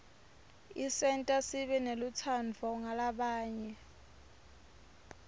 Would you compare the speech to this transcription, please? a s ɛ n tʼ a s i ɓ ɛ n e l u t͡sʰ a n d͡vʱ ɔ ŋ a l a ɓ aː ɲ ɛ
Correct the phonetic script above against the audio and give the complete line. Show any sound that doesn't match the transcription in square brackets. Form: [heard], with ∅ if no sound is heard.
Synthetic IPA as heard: [i] s ɛ n tʼ a s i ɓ ɛ n e l u t͡sʰ a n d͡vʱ ɔ ŋ a l a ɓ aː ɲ ɛ